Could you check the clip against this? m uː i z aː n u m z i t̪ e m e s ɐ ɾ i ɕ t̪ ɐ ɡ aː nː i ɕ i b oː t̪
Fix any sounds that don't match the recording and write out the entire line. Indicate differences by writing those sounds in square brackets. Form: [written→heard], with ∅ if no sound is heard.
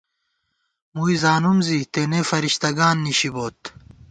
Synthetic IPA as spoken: m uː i z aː n u m z i t̪ e [m→n] e [s→f] ɐ ɾ i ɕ t̪ ɐ ɡ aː nː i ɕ i b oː t̪